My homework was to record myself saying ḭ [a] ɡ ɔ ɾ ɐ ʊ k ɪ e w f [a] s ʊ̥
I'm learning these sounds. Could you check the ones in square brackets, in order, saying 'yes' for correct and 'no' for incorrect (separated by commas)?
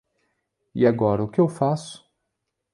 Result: yes, yes